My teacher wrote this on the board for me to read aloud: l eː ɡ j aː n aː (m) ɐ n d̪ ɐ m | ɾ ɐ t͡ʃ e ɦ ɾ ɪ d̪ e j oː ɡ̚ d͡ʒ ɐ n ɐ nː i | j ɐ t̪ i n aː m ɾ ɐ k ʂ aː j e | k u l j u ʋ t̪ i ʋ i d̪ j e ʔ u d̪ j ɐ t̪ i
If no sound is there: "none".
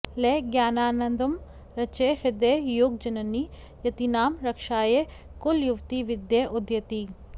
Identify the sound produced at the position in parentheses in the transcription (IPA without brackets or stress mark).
n